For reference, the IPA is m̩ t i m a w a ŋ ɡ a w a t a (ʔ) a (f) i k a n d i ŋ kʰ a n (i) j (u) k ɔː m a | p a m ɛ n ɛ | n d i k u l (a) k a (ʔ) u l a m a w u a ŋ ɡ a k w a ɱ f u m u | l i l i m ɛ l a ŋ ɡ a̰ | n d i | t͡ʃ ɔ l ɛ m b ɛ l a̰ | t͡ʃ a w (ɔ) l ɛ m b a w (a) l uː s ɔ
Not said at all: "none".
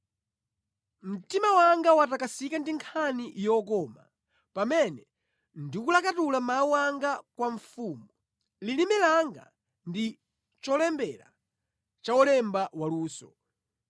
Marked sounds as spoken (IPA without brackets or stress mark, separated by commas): k, s, i, ɔ, a, t, ɔ, a